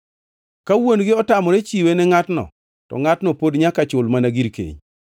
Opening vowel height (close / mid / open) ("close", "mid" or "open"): open